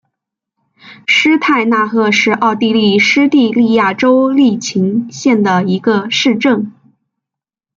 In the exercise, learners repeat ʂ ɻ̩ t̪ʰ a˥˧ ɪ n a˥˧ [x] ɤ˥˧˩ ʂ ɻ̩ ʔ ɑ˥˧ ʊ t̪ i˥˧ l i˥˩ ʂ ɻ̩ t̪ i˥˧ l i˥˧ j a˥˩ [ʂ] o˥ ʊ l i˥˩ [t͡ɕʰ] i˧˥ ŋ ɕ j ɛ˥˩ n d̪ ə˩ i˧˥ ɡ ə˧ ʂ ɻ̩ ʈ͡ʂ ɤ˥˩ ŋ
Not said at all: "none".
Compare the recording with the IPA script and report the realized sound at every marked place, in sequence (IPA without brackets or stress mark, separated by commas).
x, ʈ͡ʂ, t͡ɕʰ